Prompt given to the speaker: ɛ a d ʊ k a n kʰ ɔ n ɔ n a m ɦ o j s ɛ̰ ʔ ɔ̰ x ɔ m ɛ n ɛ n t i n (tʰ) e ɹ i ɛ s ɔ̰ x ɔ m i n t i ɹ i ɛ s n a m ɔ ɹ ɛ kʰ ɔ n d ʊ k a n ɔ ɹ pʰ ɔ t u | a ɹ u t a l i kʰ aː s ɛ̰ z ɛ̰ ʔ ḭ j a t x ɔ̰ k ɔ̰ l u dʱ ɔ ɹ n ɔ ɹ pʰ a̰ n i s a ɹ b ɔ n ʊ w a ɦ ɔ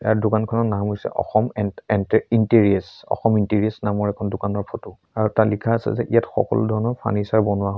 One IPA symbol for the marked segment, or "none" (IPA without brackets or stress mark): t